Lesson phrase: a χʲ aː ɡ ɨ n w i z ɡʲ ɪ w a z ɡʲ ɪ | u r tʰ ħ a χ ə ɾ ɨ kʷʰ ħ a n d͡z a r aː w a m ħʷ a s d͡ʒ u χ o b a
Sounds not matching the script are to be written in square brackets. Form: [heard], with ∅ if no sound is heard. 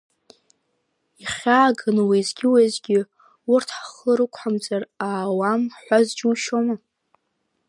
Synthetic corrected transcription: [i] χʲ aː ɡ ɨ n w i z ɡʲ ɪ w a z ɡʲ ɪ | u r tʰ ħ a χ ə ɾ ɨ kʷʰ ħ a [m] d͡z a r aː w a m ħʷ a [z] d͡ʒ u [ʃ] o [m] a

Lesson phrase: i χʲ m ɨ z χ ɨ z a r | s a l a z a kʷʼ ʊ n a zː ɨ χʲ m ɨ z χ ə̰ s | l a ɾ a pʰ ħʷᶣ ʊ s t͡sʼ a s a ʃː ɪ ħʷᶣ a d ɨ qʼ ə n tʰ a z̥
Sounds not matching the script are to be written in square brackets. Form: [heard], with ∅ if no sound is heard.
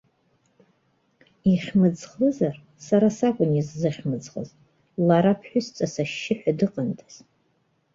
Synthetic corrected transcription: i χʲ m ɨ [d͡z] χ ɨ z a r | s a [ɾ] a [s] a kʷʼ ʊ n [i] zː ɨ χʲ m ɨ [d͡z] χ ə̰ [z] | l a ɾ a pʰ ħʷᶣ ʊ s t͡sʼ a s a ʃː ɪ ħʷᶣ a d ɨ qʼ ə n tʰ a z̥

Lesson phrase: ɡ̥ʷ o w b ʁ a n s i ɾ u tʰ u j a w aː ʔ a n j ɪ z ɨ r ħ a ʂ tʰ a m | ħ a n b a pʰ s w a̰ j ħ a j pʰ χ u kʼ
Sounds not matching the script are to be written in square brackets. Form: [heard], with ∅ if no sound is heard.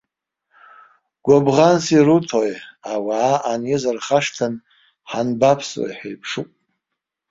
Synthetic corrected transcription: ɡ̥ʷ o [∅] b ʁ a n s i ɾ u tʰ [o] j a w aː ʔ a n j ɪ z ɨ r [χ] a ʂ tʰ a [n] | ħ a n b a pʰ s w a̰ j ħ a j pʰ [ʂ] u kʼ

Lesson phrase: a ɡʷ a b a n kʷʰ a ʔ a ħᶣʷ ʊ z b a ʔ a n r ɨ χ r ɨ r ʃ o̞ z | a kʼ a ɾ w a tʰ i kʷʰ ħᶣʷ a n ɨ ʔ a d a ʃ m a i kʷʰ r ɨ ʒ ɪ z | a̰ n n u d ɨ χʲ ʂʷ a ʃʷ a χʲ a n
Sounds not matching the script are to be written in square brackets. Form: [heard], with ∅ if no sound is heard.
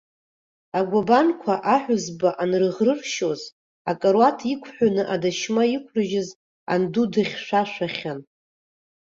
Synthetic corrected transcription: a ɡʷ a b a n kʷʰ a ʔ a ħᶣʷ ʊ z b a ʔ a n r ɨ [ʁ] r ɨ r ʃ o̞ z | a kʼ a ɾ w a tʰ i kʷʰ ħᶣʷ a n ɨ ʔ a d a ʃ m a i kʷʰ r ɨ ʒ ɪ z | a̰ n [d] u d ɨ χʲ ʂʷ a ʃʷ a χʲ a n

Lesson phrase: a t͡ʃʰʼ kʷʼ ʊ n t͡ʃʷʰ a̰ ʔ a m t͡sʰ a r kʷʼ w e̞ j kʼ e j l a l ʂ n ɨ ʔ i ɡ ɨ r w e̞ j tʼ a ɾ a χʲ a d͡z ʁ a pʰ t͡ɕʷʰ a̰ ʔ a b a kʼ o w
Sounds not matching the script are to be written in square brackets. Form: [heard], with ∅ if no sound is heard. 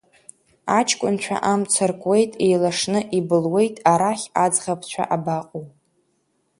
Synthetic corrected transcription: a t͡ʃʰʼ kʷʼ ʊ n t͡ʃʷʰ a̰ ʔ a m t͡sʰ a r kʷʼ w e̞ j [tʼ] e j l a [∅] ʂ n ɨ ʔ i [b] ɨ [l] w e̞ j tʼ a ɾ a χʲ a d͡z ʁ a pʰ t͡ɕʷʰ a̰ ʔ a b a [qʼ] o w

